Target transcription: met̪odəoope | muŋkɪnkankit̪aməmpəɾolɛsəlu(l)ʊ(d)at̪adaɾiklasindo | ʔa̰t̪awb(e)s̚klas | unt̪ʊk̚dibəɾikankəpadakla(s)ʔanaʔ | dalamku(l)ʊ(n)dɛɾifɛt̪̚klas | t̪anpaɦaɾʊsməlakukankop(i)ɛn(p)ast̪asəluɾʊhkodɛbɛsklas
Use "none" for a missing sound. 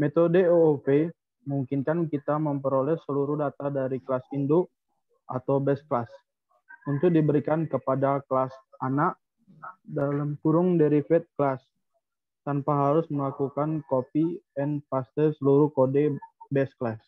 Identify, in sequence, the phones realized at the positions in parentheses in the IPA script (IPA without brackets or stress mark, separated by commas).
ɾ, d, ɛ, s, ɾ, ŋ, i, p